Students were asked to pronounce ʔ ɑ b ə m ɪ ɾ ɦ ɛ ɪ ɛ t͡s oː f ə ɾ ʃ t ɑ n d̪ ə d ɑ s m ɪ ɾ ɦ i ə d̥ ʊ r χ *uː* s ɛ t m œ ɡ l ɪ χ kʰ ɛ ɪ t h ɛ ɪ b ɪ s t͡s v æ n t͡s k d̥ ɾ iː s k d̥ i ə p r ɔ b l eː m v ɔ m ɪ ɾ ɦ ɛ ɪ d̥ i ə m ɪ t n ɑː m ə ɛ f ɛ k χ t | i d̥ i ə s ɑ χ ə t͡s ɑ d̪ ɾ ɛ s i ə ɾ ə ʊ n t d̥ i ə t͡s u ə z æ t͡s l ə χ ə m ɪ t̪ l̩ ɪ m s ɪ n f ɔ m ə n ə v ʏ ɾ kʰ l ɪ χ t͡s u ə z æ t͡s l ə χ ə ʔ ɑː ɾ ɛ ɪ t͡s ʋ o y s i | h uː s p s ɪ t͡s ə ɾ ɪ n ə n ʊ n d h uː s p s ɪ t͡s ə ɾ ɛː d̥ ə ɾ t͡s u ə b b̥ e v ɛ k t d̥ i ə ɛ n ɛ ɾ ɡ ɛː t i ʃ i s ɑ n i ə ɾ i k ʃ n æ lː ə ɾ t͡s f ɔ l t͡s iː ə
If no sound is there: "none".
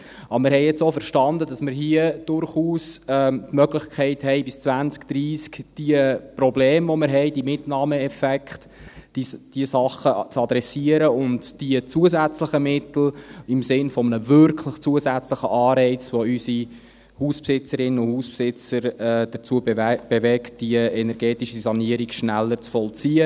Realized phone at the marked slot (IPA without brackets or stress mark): uː